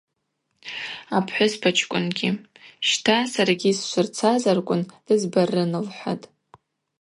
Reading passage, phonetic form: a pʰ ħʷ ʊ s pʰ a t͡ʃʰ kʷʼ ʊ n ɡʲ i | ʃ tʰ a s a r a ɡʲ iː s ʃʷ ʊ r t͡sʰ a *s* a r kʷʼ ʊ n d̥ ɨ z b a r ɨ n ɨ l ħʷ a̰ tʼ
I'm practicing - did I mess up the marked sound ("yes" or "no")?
yes